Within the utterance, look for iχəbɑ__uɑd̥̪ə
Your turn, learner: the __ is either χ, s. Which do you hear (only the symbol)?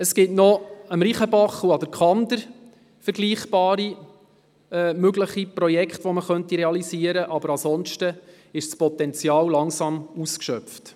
χ